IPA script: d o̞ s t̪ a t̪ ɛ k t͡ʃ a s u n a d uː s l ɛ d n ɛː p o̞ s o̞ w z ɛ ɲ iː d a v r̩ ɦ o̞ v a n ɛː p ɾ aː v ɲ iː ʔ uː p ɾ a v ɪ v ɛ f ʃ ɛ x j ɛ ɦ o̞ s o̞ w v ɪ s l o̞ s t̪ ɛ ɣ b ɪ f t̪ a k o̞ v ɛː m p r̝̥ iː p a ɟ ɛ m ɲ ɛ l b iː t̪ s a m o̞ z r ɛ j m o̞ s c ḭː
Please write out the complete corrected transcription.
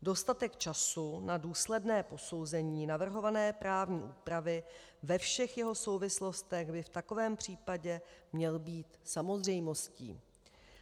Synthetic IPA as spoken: d o̞ s t̪ a t̪ ɛ k t͡ʃ a s u n a d uː s l ɛ d n ɛː p o̞ s o̞ w z ɛ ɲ iː n a v r̩ ɦ o̞ v a n ɛː p ɾ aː v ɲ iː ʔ uː p ɾ a v ɪ v ɛ f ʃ ɛ x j ɛ ɦ o̞ s o̞ w v ɪ s l o̞ s t̪ ɛ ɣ b ɪ f t̪ a k o̞ v ɛː m p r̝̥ iː p a ɟ ɛ m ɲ ɛ l b iː t̪ s a m o̞ z r ɛ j m o̞ s c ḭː